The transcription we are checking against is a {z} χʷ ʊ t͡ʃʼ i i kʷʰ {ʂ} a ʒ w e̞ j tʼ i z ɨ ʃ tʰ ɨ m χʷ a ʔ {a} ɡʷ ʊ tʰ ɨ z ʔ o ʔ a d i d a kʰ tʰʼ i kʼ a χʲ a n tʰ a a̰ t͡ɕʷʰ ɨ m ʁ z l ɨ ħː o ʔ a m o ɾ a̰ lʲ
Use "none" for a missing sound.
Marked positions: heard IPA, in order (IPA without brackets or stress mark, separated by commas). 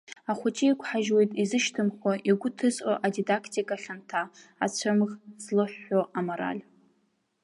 none, ħ, i